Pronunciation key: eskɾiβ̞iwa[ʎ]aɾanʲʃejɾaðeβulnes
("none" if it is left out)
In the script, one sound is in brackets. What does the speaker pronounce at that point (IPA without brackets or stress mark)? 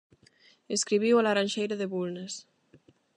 l